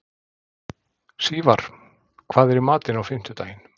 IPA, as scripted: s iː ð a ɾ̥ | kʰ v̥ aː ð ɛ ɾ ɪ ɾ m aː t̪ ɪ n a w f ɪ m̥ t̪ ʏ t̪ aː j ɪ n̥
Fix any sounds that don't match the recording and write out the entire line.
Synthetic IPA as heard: s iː v a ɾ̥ | kʰ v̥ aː ð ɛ ɾ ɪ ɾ m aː t̪ ɪ n a w f ɪ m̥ t̪ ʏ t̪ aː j ɪ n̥